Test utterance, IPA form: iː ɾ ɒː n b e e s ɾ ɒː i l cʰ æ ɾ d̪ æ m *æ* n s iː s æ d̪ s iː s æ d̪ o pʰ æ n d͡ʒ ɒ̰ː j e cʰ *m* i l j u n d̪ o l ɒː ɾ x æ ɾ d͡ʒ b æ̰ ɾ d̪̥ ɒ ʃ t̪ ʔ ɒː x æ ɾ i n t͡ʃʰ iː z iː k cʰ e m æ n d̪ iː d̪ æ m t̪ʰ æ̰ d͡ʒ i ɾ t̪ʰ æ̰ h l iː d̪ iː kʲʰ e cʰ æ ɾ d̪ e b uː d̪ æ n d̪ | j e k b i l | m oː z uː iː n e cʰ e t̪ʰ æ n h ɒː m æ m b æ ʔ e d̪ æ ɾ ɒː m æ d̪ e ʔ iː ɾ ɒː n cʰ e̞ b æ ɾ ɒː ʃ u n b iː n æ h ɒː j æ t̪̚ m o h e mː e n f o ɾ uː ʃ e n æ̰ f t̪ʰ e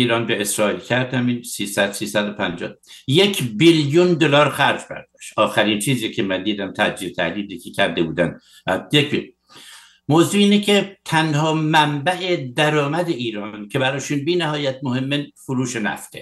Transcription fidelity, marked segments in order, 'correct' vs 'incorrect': incorrect: i, incorrect: b

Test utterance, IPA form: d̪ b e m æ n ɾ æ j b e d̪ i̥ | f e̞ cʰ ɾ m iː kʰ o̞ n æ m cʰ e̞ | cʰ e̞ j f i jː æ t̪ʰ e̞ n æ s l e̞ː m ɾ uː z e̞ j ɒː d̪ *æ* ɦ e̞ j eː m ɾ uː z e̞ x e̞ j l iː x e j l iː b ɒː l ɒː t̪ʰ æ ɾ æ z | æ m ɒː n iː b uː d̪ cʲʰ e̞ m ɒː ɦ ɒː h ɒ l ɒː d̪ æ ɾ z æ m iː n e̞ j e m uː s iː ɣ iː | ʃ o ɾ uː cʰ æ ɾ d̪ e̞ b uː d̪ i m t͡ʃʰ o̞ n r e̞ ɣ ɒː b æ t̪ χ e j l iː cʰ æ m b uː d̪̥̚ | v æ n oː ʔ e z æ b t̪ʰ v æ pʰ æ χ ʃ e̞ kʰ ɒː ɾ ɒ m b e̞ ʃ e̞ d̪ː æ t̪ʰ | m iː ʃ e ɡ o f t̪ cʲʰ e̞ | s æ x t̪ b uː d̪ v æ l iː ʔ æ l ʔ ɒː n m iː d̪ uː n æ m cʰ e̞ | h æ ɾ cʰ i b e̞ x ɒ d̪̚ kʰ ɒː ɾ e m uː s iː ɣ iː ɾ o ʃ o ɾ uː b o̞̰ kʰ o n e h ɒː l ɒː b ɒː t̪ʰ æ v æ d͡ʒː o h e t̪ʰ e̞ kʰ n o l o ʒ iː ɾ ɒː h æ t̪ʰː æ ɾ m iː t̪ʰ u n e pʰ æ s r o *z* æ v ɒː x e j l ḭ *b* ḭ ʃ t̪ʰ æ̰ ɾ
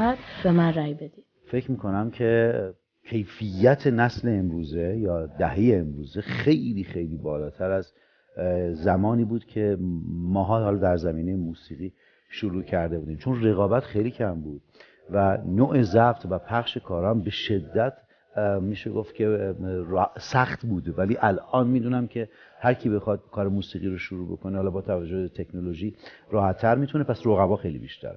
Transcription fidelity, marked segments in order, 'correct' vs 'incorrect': correct, incorrect: ɣ, correct

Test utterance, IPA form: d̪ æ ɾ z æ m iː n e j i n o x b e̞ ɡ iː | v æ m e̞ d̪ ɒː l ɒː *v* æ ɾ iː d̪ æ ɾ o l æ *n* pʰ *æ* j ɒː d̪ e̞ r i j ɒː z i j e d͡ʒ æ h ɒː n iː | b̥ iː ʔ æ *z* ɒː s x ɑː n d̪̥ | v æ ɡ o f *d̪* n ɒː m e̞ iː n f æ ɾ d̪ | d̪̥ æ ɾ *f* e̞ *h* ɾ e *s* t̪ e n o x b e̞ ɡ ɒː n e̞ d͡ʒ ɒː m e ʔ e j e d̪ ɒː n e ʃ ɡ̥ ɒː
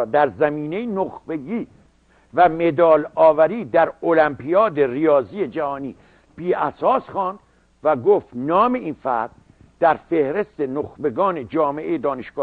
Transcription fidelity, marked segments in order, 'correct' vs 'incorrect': correct, incorrect: m, incorrect: i, incorrect: s, incorrect: t̪, correct, correct, correct

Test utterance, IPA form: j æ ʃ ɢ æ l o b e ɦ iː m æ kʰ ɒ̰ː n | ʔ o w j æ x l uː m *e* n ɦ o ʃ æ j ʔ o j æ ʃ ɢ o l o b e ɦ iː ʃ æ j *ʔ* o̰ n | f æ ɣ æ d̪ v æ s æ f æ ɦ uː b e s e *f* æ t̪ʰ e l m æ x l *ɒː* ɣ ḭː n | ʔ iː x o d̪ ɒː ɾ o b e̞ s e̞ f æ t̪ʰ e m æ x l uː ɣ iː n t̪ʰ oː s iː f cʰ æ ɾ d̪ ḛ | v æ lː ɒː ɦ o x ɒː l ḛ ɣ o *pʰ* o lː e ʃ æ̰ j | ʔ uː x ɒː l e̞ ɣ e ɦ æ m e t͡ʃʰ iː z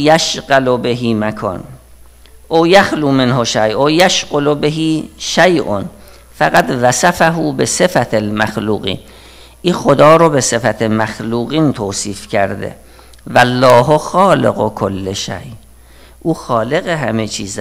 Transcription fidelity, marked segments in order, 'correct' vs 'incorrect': correct, correct, correct, incorrect: uː, incorrect: kʰ

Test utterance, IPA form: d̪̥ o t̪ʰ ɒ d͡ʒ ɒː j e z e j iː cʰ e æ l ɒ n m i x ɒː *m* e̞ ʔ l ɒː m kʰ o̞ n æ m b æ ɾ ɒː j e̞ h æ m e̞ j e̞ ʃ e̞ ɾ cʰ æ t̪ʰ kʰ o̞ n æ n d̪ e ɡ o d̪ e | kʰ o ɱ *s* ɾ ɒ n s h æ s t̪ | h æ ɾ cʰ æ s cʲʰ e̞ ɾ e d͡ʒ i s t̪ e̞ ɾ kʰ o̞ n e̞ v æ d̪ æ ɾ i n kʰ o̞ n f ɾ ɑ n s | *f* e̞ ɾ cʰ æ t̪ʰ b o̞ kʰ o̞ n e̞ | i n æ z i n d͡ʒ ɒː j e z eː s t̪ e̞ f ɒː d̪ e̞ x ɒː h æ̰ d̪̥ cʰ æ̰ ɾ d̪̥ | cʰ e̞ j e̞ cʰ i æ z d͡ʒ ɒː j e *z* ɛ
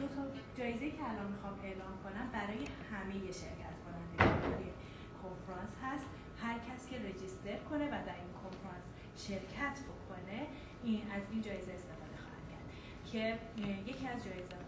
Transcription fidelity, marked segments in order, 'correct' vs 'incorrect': correct, incorrect: f, incorrect: ʃ, correct

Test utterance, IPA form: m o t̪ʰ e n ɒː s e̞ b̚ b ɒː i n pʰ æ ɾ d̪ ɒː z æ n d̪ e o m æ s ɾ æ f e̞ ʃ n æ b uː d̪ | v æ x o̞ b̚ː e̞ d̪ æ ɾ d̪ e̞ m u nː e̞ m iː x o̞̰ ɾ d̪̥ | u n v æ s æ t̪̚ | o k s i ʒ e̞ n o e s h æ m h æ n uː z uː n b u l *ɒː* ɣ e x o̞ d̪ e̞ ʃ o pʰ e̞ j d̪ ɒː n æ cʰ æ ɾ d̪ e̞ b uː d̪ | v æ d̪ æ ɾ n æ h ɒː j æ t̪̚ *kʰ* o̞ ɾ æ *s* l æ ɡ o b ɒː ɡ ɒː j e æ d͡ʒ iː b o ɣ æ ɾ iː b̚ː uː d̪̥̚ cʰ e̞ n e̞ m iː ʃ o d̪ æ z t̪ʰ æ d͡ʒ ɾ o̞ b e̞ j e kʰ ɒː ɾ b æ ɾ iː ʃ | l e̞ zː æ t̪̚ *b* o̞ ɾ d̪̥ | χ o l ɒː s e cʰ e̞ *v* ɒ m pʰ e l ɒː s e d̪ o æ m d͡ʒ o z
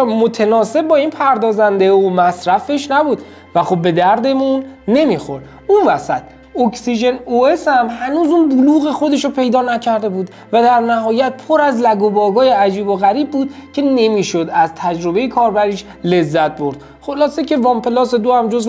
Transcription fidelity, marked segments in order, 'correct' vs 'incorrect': incorrect: uː, incorrect: pʰ, incorrect: z, correct, correct

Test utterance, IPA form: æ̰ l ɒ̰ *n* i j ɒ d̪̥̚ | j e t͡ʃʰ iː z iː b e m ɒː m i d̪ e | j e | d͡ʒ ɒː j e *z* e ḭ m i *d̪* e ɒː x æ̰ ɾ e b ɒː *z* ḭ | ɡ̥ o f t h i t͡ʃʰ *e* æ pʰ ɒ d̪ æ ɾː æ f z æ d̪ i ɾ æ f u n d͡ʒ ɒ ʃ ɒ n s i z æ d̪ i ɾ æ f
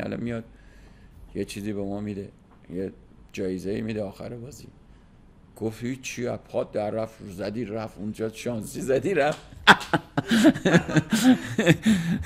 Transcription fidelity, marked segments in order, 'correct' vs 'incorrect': incorrect: m, correct, correct, correct, incorrect: i

